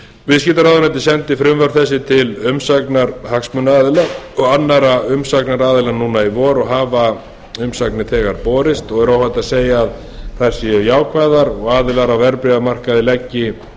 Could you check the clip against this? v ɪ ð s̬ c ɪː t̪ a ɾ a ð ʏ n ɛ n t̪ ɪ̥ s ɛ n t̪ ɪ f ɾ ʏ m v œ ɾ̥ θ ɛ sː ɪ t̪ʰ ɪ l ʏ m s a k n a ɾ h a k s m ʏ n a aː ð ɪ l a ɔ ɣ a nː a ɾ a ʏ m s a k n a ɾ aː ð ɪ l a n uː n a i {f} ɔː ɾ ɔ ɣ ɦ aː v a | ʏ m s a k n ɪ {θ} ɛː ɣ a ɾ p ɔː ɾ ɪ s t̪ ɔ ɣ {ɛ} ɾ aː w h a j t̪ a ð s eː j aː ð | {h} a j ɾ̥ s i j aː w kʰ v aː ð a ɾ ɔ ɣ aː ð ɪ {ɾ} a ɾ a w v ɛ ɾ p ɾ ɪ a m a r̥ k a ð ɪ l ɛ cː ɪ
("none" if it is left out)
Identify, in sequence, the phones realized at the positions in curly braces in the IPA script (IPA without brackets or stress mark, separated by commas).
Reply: v, θ, ɛ, θ, l